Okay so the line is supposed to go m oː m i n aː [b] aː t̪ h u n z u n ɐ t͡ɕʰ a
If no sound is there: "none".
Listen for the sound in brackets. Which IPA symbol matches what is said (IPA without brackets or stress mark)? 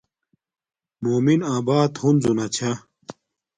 b